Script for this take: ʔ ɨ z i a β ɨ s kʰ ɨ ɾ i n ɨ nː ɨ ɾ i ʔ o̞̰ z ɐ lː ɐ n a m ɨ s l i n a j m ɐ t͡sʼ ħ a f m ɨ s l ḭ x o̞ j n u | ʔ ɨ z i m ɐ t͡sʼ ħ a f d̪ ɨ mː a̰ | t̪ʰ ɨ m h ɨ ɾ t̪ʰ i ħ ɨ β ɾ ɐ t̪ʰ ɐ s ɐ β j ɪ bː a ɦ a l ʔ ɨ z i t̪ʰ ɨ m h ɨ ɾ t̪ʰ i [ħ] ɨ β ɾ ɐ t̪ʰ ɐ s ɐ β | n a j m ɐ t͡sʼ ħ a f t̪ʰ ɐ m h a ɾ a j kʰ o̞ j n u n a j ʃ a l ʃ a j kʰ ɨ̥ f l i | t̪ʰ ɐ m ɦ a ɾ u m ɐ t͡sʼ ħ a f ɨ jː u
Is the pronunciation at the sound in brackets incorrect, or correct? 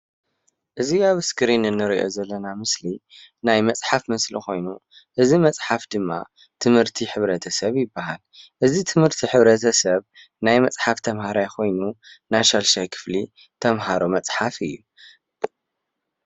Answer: correct